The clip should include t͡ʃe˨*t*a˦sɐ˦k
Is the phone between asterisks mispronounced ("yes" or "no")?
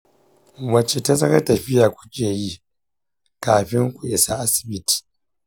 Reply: no